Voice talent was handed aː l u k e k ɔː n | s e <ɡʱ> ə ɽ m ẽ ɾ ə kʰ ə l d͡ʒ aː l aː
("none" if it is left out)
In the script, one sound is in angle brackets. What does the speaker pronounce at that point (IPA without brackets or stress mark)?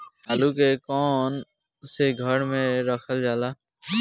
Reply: ɡʱ